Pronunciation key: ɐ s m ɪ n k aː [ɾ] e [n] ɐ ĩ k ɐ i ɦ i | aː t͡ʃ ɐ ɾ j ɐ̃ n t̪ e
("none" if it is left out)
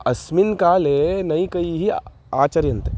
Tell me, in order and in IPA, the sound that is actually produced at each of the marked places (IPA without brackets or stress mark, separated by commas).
l, n